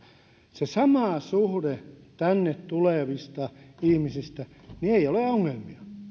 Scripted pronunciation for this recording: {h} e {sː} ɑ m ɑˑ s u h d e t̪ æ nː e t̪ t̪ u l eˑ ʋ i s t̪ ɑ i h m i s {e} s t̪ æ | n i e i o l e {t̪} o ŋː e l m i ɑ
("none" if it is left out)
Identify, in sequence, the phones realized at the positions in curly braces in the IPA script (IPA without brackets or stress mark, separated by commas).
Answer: s, s, i, none